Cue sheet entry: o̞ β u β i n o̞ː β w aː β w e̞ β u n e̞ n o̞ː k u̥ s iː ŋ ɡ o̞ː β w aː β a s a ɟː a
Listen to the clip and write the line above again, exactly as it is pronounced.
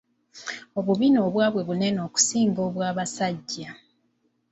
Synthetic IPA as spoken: o̞ β u β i n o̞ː β w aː β w e̞ β u n e̞ n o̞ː k u̥ s iː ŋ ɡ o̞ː β w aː β a s a ɟː a